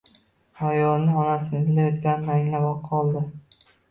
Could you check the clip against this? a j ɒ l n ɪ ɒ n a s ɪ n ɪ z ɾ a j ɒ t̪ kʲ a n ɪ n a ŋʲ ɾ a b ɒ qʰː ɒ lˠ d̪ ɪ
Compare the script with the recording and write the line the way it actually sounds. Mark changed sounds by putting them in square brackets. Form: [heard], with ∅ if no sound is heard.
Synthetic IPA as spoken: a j ɒ l n ɪ ɒ n a s ɪ n ɪ z [l] a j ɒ t̪ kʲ a n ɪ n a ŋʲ [l] a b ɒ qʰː ɒ lˠ d̪ ɪ